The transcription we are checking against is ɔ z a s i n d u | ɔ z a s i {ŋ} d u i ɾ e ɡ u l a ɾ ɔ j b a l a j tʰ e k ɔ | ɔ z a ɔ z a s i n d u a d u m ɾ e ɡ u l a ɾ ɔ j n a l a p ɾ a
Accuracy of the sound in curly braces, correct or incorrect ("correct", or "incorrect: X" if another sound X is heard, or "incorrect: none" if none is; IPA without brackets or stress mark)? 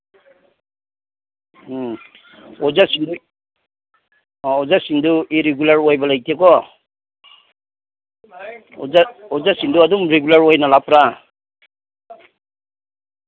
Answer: incorrect: n